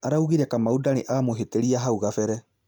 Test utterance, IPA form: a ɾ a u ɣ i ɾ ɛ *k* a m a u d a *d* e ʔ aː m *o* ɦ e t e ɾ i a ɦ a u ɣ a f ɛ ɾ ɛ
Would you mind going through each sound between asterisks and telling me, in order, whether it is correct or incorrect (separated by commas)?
correct, incorrect, correct